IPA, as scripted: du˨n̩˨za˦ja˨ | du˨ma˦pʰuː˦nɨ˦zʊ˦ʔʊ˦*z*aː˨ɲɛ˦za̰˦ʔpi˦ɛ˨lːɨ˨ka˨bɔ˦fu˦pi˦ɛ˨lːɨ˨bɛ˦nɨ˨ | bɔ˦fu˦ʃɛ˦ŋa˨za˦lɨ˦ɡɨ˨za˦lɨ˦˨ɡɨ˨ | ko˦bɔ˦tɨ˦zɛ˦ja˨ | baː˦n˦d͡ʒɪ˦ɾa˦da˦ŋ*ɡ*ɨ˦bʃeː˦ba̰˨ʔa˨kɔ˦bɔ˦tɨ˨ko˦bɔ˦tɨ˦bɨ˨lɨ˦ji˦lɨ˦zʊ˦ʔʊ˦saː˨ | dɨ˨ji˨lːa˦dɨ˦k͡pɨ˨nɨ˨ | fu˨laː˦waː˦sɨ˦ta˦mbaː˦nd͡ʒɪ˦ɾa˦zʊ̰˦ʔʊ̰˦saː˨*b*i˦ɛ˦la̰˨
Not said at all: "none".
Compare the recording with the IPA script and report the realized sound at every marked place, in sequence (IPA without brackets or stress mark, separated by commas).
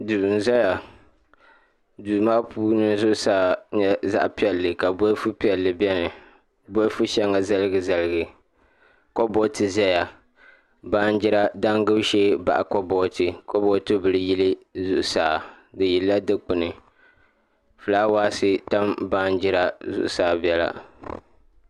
s, ɡ, b